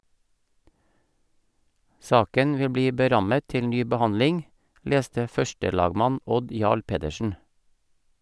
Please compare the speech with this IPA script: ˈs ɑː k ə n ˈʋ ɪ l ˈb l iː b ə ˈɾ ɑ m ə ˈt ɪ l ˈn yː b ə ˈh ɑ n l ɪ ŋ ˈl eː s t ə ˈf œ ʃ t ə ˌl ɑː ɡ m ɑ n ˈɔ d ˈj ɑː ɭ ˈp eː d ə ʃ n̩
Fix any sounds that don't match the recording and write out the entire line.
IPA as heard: ˈs ɑː k ə n ˈʋ ɪ l ˈb l iː b ə ˈɾ ɑ m ə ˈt ɪ l ˈn yː b ə ˈh ɑ n l ɪ ŋ ˈl eː s t ə ˈf œ ʃ t ə ˌl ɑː ɡ m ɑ n ˈɔ d ˈj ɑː ɭ ˈp eː d ə ʃ n̩